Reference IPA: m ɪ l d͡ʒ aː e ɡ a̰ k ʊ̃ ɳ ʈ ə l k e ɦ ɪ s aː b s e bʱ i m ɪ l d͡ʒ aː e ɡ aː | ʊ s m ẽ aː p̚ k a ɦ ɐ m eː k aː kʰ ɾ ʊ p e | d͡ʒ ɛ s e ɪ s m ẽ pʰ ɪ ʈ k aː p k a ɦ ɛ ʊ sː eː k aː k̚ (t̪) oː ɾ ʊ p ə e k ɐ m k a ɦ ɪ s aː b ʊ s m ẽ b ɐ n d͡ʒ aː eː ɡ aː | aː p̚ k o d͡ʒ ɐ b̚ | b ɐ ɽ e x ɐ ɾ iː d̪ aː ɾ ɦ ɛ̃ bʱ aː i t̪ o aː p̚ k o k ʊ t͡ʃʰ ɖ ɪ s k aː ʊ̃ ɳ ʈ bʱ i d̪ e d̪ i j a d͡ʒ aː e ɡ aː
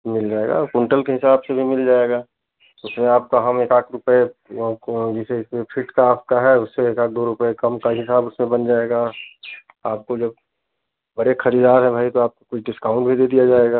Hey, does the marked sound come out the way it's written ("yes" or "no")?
no